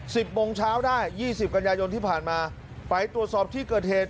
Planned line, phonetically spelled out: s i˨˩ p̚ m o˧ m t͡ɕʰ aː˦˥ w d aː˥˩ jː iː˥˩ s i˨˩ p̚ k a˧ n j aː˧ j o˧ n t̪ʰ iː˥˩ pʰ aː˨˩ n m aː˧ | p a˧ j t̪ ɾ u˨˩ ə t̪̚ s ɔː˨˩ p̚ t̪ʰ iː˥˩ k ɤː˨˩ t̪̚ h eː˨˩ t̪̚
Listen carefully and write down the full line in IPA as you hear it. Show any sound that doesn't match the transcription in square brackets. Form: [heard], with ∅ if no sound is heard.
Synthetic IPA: s i˨˩ p̚ m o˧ [ŋ] t͡ɕʰ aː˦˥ w d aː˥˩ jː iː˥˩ s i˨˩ p̚ k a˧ n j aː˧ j o˧ n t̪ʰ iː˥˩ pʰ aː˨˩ n m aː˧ | p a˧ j t̪ ɾ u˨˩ ə t̪̚ s ɔː˨˩ p̚ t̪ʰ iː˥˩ k ɤː˨˩ t̪̚ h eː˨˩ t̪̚